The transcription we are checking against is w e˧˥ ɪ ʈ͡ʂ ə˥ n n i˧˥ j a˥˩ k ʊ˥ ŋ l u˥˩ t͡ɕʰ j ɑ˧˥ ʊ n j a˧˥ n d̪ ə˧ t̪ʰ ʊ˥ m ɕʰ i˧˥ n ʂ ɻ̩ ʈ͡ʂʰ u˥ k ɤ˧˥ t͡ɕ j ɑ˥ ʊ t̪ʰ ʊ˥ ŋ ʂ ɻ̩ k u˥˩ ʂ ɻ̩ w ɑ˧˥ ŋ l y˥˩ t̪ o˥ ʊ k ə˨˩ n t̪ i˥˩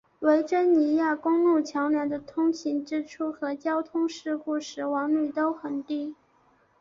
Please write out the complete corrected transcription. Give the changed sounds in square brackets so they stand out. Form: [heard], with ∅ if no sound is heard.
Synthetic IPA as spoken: w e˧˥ ɪ ʈ͡ʂ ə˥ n n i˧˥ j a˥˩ k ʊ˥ ŋ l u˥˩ t͡ɕʰ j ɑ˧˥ ʊ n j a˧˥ n d̪ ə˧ t̪ʰ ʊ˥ [ŋ] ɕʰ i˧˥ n [ʈ͡ʂ] ɻ̩ ʈ͡ʂʰ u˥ [x] ɤ˧˥ t͡ɕ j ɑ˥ ʊ t̪ʰ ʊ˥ ŋ ʂ ɻ̩ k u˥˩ ʂ ɻ̩ w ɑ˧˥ ŋ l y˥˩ t̪ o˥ ʊ [x] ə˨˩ n t̪ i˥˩